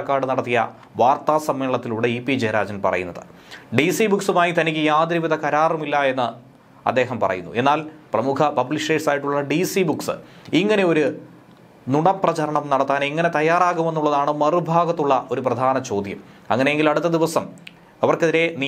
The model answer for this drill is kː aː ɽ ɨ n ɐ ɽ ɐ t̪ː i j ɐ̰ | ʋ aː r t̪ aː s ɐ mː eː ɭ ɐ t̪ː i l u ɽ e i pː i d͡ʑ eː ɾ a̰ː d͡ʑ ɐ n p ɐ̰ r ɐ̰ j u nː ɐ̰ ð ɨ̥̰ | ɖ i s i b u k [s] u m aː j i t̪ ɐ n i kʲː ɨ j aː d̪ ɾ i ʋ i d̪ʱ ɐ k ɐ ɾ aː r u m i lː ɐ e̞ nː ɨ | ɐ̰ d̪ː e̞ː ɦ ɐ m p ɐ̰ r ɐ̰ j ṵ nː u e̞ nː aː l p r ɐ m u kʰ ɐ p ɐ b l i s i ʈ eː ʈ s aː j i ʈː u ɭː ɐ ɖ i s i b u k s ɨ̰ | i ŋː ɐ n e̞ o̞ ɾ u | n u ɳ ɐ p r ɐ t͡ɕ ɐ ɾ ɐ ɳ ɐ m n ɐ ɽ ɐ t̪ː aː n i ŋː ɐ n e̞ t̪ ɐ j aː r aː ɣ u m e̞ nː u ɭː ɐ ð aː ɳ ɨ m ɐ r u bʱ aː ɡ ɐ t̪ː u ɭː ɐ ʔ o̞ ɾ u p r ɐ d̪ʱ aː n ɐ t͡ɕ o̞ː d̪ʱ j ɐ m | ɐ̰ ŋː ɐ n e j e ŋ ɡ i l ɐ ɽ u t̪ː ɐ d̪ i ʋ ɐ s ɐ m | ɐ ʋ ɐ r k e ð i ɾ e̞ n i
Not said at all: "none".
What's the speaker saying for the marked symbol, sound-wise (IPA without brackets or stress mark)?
s